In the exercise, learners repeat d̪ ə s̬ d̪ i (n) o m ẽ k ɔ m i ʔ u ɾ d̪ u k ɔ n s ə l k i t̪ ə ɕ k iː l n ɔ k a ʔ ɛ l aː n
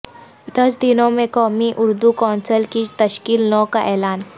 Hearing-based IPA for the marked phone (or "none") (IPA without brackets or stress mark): n